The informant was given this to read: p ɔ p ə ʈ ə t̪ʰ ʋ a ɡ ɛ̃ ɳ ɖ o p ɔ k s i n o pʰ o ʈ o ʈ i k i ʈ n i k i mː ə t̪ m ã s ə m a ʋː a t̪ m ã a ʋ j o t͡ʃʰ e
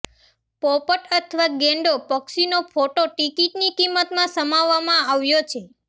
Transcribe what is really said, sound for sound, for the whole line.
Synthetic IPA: p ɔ p ə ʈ ə t̪ʰ ʋ a ɡ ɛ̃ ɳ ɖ o p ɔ k s i n o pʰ o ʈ o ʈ i k i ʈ n i k i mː ə t̪ m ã s ə m a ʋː a m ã a ʋ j o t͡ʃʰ e